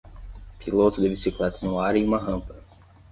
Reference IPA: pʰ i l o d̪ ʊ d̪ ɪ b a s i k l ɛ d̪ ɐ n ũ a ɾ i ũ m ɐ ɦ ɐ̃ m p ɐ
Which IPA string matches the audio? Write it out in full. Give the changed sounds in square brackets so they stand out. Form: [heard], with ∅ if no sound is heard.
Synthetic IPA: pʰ i l o [t̪] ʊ d̪ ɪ b [i] s i k l ɛ [t̪] ɐ n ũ a ɾ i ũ m ɐ ɦ ɐ̃ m p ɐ